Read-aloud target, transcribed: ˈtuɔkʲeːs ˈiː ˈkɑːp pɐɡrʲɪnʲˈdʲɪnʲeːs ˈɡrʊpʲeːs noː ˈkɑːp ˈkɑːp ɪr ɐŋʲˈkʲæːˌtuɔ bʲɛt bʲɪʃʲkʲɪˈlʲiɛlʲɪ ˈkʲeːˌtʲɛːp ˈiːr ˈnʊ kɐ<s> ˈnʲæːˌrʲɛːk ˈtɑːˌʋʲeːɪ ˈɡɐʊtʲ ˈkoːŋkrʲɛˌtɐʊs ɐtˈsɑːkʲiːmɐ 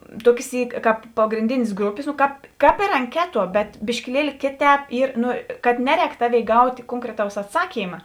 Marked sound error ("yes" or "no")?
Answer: yes